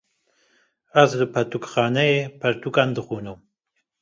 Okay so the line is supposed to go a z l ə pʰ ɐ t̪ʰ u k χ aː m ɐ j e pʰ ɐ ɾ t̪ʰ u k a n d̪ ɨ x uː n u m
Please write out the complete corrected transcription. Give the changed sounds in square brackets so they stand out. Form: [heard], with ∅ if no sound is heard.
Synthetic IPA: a z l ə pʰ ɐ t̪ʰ u k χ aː [n] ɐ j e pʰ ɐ ɾ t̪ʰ u k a n d̪ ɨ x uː n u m